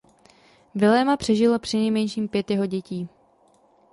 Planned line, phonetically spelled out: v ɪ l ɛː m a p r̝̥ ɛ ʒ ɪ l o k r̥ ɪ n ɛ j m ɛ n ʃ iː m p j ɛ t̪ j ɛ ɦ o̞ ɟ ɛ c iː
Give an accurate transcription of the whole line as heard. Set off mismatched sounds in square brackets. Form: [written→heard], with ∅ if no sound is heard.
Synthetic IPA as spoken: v ɪ l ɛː m a p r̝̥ ɛ ʒ ɪ l o [k→p] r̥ ɪ n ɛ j m ɛ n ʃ iː m p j ɛ t̪ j ɛ ɦ o̞ ɟ ɛ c iː